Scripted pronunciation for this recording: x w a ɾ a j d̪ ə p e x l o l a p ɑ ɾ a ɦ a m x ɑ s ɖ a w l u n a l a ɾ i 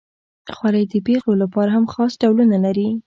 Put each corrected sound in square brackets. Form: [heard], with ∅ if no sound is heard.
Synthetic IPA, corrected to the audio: x w a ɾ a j d̪ ə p e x l o l a p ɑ ɾ a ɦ a m x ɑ s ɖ a w l u n a l a ɾ i